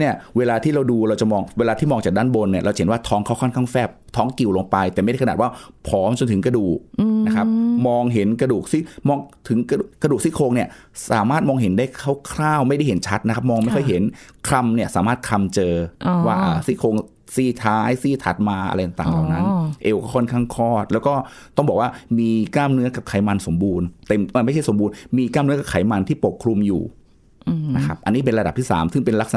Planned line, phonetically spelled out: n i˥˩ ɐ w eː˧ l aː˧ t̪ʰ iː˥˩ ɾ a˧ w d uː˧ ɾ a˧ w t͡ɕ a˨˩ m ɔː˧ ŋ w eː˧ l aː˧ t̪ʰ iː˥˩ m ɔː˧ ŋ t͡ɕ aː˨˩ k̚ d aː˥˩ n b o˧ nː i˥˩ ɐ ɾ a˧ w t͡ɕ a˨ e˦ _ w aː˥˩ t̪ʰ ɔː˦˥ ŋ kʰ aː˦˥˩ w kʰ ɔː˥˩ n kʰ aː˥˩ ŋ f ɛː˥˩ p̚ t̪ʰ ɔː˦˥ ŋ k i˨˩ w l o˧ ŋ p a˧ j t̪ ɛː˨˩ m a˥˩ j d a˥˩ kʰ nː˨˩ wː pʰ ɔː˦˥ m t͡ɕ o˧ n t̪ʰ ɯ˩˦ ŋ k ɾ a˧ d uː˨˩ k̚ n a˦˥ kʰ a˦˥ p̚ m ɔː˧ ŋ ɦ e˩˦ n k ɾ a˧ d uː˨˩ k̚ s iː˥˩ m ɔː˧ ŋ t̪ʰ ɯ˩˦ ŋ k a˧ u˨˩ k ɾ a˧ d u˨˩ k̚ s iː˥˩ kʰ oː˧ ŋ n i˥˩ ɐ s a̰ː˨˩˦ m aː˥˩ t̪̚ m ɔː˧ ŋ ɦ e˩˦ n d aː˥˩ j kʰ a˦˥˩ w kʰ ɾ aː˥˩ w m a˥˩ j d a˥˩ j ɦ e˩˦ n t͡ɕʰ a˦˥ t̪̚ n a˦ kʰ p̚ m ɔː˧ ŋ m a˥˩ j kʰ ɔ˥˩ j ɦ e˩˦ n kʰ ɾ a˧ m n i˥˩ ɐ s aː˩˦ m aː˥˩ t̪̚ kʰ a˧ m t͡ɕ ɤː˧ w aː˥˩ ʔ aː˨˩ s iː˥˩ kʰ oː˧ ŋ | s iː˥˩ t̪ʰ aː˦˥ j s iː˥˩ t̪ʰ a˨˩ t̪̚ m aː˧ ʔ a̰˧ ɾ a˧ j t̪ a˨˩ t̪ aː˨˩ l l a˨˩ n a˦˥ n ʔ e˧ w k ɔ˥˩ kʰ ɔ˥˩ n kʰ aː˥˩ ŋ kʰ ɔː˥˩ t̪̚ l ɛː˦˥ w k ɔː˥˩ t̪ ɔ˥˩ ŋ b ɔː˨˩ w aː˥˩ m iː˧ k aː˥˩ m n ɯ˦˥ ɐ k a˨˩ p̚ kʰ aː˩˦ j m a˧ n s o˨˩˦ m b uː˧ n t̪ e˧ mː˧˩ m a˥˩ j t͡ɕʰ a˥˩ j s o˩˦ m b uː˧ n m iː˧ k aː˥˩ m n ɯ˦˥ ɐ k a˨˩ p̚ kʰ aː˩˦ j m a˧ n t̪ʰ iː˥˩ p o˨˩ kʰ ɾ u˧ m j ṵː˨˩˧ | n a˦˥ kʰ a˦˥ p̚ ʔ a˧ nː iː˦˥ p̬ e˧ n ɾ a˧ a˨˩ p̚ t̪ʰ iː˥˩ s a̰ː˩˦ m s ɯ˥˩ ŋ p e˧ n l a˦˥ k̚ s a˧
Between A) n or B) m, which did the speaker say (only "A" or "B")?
A